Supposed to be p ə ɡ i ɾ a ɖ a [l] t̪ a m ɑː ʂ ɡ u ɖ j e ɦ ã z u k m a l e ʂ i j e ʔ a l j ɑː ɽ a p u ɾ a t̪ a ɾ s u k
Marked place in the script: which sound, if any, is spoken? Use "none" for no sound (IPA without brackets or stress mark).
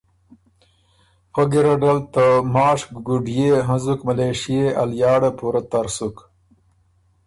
l